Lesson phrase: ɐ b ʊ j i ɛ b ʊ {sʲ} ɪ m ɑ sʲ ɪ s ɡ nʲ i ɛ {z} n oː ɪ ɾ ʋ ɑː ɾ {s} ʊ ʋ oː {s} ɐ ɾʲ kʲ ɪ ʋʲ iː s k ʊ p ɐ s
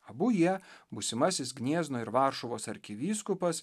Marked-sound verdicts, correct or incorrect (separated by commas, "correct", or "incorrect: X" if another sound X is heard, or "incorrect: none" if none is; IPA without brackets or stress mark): correct, correct, incorrect: ʃ, correct